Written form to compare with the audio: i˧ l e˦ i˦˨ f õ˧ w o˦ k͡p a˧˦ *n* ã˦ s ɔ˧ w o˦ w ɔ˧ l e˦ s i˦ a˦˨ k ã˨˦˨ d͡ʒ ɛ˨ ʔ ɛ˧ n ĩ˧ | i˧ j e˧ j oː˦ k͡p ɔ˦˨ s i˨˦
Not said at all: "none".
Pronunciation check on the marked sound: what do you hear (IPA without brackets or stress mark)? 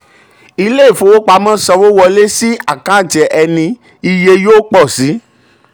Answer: m